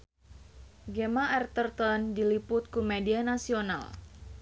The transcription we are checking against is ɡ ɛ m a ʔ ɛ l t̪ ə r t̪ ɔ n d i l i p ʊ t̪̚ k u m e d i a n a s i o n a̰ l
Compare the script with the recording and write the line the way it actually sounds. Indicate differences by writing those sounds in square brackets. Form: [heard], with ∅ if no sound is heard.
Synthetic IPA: ɡ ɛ m a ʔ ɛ [r] t̪ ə r t̪ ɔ n d i l i p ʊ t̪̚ k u m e d i a n a s i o n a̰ l